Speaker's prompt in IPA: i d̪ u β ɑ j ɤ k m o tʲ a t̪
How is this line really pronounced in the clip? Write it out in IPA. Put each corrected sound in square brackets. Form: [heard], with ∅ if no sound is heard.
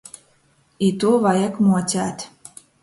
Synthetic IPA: i [t̪] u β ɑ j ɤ k m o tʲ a t̪